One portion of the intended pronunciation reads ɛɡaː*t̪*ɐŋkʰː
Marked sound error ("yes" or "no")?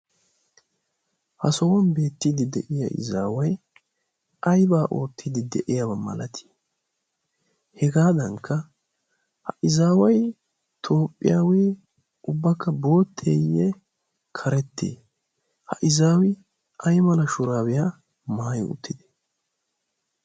yes